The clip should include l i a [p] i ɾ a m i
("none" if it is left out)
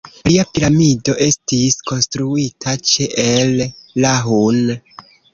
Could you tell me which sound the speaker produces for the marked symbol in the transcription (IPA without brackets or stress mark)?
p